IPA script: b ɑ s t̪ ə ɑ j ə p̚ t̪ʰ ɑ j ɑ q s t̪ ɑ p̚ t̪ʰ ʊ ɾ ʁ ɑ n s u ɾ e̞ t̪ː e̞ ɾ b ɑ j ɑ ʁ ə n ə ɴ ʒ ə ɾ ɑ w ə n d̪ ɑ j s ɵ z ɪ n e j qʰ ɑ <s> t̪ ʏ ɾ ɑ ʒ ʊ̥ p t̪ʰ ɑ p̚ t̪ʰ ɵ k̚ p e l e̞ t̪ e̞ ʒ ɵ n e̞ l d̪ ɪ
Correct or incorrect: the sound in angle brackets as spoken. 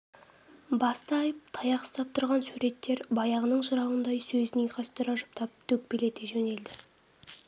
correct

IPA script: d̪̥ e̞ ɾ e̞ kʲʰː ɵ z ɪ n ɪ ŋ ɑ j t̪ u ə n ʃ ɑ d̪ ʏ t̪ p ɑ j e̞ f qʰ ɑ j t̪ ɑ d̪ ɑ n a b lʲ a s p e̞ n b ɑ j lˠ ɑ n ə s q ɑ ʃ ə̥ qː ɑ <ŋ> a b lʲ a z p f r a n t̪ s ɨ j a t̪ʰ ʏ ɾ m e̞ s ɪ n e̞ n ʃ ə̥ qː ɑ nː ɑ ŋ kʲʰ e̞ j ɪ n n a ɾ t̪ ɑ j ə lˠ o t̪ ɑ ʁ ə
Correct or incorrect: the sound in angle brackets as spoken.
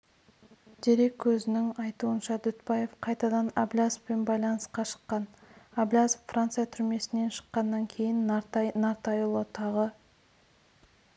incorrect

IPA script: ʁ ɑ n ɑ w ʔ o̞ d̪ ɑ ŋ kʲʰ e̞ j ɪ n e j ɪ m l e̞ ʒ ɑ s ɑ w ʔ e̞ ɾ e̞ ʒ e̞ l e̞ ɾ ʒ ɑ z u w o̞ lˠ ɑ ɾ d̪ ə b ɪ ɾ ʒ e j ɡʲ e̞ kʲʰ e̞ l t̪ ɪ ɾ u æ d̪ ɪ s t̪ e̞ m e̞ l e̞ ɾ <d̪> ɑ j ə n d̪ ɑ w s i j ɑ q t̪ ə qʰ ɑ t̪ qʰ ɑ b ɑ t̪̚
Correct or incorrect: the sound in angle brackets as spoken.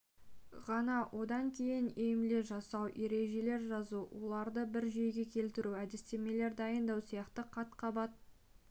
correct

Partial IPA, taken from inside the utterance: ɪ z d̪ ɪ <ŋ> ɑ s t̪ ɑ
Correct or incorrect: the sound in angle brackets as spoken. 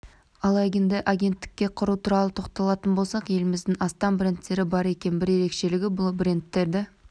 correct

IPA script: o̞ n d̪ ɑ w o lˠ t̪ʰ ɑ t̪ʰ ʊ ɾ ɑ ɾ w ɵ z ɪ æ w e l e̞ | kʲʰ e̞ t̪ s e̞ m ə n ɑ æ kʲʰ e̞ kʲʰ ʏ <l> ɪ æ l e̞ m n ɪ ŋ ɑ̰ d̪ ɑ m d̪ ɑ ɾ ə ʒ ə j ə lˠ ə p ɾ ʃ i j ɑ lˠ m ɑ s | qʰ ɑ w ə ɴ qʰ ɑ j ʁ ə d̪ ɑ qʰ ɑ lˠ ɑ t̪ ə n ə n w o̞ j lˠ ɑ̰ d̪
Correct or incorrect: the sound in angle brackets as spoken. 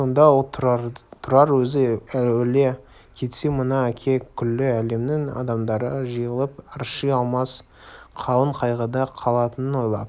incorrect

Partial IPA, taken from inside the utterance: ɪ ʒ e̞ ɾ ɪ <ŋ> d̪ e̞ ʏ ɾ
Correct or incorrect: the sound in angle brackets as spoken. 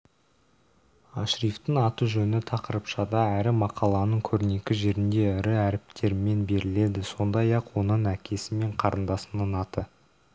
incorrect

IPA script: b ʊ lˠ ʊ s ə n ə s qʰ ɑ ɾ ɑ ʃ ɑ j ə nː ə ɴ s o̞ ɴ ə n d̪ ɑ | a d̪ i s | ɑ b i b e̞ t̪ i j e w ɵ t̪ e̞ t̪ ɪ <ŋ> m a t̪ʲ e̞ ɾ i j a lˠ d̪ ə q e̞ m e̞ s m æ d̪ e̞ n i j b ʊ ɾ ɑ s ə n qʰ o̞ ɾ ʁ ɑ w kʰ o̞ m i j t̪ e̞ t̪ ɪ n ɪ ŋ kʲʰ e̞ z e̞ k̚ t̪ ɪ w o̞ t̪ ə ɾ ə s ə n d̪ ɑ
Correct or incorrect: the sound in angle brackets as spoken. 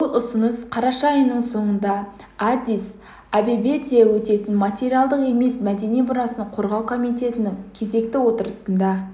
incorrect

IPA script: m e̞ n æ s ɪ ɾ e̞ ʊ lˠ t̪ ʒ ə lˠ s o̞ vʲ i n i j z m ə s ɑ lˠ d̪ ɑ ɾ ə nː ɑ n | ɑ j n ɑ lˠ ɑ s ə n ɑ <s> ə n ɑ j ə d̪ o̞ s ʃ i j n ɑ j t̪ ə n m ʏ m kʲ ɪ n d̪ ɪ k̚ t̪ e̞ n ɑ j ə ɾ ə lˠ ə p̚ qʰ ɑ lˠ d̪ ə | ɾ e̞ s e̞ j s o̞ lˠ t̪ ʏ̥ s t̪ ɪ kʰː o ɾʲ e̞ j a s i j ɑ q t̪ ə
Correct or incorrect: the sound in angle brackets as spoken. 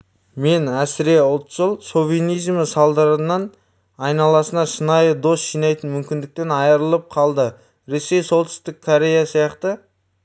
incorrect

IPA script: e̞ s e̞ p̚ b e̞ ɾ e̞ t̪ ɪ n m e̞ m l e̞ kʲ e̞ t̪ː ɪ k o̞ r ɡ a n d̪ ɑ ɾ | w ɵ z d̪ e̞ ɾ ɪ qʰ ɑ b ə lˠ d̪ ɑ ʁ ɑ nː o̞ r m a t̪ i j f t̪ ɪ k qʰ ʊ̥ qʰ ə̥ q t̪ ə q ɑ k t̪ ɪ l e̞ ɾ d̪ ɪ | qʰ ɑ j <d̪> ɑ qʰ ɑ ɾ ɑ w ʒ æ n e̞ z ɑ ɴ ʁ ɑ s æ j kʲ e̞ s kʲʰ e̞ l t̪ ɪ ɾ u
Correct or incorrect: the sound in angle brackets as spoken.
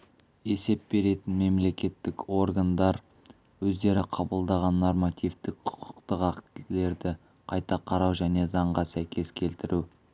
incorrect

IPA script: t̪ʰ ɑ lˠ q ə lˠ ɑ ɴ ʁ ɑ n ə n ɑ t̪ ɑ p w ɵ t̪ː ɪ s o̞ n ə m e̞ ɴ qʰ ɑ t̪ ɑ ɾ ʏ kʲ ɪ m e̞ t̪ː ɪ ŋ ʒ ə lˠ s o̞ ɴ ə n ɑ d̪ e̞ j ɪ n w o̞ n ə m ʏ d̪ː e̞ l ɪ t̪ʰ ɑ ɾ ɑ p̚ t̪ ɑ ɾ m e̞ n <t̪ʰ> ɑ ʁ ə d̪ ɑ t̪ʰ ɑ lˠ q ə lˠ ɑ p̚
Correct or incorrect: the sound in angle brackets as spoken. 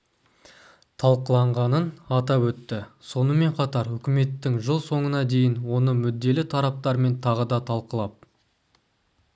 correct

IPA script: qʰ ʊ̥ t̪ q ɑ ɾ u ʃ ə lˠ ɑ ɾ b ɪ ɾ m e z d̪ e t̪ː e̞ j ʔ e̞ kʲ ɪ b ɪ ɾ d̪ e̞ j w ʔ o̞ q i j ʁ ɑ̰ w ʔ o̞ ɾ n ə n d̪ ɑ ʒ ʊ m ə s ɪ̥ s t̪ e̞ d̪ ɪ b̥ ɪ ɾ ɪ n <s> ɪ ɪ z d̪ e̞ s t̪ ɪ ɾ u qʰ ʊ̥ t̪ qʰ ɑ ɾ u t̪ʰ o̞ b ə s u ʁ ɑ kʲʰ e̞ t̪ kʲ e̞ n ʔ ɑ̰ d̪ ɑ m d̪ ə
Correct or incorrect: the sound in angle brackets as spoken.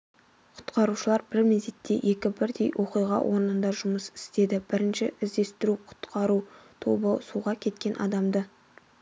incorrect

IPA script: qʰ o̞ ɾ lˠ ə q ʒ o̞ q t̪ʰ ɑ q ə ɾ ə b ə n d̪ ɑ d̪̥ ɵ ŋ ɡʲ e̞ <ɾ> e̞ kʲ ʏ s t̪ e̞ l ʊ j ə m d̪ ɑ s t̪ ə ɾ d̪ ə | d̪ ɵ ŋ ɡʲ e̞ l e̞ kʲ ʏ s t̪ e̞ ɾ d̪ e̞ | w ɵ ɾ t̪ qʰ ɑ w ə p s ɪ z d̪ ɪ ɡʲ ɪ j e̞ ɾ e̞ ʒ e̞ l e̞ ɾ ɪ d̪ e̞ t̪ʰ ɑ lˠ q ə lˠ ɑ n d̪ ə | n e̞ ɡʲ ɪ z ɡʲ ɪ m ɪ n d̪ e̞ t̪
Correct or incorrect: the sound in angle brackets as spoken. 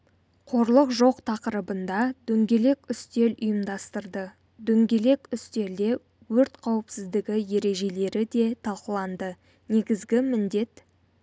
incorrect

